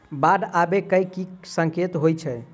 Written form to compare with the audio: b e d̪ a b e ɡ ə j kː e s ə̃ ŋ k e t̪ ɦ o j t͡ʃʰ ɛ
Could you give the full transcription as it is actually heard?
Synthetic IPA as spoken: b a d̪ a b e k ə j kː i s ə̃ ŋ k e t̪ ɦ o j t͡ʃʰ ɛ